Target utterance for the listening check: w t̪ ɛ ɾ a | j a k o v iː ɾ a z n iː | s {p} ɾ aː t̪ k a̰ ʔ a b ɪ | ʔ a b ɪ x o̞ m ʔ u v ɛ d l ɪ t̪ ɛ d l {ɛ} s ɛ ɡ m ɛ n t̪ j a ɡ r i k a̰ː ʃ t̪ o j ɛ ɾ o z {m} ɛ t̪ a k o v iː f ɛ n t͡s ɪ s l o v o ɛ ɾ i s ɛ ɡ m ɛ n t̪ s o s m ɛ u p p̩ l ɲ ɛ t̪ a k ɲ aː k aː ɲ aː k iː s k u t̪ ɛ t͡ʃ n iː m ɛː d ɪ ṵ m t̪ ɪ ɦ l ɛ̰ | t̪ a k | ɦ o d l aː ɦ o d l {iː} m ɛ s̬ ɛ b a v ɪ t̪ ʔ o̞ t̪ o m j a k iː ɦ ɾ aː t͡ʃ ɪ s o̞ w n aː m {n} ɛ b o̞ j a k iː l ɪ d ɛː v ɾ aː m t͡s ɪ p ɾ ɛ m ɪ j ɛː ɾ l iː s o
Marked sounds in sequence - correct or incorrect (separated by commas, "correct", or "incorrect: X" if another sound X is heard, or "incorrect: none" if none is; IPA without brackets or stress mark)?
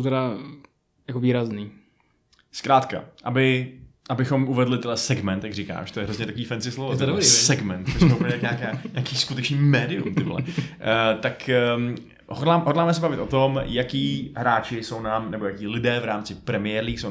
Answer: incorrect: k, correct, incorrect: ɲ, incorrect: aː, correct